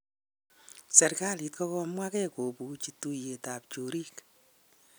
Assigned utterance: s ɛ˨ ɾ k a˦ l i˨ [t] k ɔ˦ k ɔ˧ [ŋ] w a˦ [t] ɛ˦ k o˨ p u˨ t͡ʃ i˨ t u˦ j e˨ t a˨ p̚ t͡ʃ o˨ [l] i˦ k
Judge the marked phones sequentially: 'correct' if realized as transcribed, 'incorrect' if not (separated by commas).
correct, incorrect, incorrect, incorrect